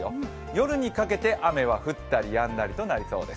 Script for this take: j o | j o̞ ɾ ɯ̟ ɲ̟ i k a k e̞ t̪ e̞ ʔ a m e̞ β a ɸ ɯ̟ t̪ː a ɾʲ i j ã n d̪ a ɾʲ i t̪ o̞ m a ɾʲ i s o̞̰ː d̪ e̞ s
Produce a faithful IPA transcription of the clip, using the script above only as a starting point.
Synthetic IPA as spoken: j o | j o̞ ɾ ɯ̟ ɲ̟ i k a k e̞ t̪ e̞ ʔ a m e̞ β a ɸ ɯ̟ t̪ː a ɾʲ i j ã n d̪ a ɾʲ i t̪ o̞ n a ɾʲ i s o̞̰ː d̪ e̞ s